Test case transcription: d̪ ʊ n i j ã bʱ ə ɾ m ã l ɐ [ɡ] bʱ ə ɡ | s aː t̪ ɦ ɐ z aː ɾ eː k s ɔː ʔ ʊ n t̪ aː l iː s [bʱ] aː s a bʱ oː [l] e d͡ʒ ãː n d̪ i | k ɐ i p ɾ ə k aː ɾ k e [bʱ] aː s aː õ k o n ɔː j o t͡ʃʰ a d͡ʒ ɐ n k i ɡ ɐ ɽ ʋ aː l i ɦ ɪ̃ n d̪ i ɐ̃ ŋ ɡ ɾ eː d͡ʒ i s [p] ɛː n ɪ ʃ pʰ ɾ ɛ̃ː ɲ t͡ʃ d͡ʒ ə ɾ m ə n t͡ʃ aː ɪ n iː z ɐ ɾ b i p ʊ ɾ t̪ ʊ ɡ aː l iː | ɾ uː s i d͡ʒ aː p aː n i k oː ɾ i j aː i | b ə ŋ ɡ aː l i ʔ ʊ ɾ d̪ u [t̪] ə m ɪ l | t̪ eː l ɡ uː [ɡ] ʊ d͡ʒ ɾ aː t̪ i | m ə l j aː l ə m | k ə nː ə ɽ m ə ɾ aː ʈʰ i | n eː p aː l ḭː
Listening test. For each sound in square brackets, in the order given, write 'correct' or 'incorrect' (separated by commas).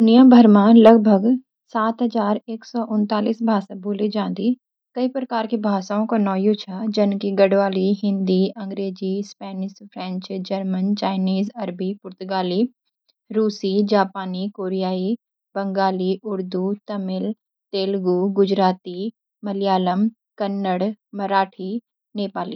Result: correct, correct, correct, correct, correct, correct, correct